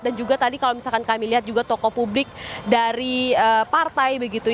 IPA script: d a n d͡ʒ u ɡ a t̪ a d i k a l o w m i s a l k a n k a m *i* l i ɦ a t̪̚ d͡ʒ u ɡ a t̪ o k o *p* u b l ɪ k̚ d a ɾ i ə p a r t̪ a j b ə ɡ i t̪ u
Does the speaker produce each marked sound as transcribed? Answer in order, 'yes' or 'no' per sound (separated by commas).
yes, yes